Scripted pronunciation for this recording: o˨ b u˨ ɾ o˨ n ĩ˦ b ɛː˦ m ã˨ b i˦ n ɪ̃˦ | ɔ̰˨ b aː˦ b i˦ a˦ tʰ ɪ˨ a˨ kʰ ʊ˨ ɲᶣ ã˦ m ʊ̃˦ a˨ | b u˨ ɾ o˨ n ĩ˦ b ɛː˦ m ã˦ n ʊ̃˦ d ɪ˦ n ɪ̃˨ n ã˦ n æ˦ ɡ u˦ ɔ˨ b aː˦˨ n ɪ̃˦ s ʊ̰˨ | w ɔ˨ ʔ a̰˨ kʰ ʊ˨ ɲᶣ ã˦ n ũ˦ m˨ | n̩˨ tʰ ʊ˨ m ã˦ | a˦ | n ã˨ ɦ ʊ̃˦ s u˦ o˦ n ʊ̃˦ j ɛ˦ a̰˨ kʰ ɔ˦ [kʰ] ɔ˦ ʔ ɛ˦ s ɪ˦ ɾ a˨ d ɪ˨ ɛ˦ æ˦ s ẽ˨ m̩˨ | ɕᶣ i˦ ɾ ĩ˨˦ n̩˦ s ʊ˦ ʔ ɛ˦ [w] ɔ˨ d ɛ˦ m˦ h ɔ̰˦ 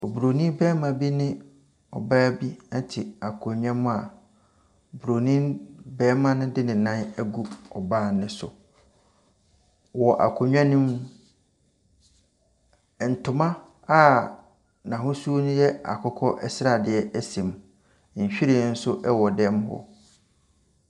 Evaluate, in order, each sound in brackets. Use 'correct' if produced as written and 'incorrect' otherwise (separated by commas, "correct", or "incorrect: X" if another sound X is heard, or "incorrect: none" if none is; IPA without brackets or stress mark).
correct, correct